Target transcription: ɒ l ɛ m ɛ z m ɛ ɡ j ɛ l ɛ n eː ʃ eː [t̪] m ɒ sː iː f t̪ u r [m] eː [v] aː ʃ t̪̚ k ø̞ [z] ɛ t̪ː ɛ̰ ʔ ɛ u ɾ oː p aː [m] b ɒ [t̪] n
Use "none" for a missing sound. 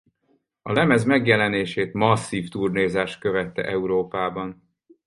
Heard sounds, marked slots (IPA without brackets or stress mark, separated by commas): t̪, n, z, v, none, none